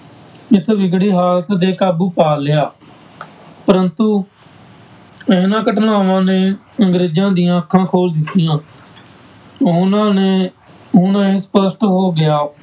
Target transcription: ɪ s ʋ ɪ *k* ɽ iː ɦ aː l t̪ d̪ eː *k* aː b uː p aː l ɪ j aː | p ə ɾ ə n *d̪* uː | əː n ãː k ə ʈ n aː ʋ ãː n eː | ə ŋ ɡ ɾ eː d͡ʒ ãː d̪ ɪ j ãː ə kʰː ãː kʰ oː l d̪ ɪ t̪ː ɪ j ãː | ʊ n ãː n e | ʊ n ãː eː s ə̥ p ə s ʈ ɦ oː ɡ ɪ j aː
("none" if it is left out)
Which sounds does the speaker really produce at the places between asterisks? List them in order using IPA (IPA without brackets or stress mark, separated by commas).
ɡ, k, t̪